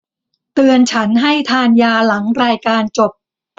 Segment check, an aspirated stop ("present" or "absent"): present